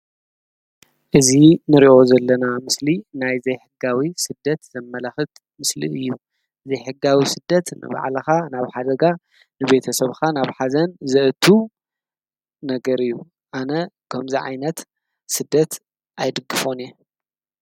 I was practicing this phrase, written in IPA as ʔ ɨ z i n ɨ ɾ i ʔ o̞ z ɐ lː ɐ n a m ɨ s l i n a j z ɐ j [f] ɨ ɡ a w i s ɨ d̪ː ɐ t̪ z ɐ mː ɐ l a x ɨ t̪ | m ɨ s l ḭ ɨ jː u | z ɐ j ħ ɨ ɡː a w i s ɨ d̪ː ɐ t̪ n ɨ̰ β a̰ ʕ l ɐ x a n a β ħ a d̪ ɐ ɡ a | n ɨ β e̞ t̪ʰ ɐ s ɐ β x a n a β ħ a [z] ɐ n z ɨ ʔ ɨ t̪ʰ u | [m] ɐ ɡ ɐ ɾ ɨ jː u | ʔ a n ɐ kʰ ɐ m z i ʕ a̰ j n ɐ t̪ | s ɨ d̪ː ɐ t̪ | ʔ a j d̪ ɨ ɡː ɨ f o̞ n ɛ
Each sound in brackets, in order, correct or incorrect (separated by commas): incorrect, correct, incorrect